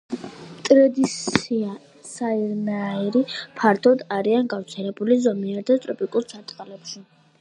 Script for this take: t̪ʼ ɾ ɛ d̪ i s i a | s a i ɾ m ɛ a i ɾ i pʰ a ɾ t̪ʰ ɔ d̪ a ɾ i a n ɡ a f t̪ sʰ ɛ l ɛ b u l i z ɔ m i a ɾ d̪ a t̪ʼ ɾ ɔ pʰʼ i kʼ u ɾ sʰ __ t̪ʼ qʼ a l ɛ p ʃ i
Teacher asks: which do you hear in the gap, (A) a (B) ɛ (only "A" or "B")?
A